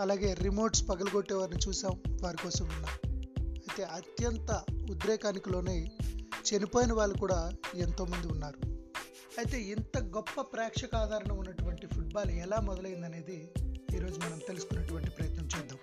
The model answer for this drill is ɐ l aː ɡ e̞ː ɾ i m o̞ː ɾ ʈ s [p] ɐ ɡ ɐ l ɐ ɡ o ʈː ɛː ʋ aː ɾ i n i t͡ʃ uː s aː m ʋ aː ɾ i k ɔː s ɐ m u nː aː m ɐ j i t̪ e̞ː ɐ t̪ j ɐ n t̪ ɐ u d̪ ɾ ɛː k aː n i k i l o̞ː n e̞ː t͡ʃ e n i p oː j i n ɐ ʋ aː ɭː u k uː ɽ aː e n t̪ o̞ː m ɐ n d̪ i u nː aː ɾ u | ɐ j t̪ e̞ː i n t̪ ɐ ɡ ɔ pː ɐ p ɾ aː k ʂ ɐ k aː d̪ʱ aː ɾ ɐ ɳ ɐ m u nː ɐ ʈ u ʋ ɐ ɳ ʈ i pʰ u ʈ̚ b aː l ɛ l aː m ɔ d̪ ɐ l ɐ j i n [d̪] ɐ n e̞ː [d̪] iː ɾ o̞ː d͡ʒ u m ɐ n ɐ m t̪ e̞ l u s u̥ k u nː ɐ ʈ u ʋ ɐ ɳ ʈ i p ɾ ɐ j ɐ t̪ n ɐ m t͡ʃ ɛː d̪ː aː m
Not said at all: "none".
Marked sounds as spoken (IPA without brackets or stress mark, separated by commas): p, d̪, d̪